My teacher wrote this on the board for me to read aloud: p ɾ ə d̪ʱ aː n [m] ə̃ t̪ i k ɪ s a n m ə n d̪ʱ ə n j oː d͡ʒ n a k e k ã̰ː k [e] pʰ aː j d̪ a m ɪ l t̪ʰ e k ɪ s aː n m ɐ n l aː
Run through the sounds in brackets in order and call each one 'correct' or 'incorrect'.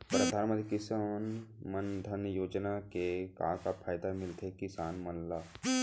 correct, incorrect

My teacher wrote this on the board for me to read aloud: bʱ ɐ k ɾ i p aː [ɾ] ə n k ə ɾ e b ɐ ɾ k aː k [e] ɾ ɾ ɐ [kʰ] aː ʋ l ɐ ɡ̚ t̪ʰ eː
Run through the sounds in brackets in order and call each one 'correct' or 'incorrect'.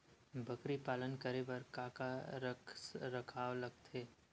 incorrect, incorrect, correct

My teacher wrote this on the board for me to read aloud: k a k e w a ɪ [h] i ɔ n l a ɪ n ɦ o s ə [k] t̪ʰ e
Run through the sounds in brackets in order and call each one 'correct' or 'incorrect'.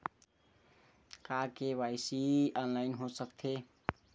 incorrect, correct

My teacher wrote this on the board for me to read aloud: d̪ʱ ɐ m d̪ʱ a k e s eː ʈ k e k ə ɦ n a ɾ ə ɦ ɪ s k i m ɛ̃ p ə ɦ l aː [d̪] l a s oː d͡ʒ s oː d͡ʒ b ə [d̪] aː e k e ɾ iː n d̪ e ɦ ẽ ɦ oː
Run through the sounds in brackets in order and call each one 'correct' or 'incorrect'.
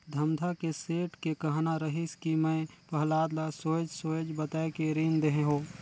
correct, incorrect

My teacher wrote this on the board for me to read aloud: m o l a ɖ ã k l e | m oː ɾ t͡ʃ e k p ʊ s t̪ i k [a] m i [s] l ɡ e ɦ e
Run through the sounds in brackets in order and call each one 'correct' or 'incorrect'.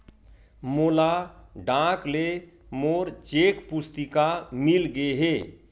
correct, incorrect

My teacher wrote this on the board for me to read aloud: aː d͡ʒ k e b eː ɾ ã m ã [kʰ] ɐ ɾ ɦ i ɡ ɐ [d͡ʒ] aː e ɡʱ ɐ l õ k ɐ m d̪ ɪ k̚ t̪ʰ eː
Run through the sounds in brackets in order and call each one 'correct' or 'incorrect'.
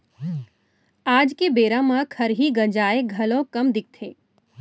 correct, correct

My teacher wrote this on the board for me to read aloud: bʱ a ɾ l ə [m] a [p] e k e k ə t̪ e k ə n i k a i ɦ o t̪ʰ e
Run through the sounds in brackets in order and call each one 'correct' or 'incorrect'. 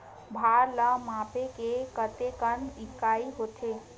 correct, correct

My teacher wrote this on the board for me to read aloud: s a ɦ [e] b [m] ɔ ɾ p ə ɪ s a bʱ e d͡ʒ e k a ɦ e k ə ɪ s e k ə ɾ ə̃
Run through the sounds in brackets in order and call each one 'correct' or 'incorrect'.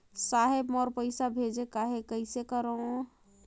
correct, correct

